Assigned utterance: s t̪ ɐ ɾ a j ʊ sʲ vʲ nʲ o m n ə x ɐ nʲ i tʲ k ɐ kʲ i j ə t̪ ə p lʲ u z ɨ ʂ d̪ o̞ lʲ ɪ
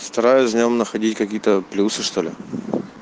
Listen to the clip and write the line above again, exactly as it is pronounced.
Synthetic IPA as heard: s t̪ ɐ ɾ a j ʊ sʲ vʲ nʲ o m n ə x ɐ dʲ i tʲ k ɐ kʲ i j ə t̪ ə p lʲ u s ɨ ʂ t̪ o̞ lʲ ɪ